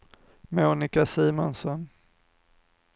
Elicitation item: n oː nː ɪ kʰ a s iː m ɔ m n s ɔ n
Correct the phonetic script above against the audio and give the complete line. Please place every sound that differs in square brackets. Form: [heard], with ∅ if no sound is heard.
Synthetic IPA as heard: [m] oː [n] ɪ [k] a s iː m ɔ [∅] n s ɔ n